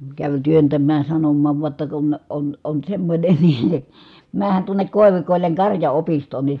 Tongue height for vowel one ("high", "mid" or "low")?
low